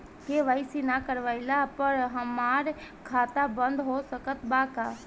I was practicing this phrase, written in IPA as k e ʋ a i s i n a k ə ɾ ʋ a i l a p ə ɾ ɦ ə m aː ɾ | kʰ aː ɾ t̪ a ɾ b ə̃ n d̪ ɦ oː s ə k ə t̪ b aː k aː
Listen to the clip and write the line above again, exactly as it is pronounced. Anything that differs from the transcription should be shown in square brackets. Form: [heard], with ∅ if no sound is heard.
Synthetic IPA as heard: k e ʋ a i s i n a k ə ɾ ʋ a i l a p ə ɾ ɦ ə m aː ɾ | kʰ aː [∅] t̪ a [∅] b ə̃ n d̪ ɦ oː s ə k ə t̪ b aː k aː